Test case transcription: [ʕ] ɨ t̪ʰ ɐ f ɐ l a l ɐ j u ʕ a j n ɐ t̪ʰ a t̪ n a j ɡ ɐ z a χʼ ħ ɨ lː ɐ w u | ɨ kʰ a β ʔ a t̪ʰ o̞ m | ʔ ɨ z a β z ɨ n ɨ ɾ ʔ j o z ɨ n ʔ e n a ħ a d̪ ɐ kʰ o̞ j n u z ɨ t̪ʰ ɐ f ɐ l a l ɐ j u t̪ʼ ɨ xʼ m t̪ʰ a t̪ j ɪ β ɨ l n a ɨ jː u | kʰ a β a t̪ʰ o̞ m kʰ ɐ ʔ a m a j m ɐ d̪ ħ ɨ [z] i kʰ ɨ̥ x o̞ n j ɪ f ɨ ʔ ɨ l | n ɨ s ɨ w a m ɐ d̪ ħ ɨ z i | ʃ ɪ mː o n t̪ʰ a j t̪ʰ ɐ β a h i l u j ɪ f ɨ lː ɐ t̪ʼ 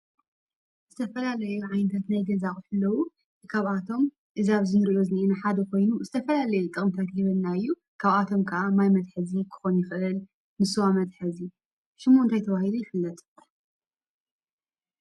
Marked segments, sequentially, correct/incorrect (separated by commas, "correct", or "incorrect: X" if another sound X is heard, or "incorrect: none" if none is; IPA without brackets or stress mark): incorrect: z, correct